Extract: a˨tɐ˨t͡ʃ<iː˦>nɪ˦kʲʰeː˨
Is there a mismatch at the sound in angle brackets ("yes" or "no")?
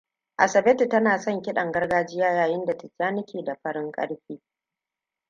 yes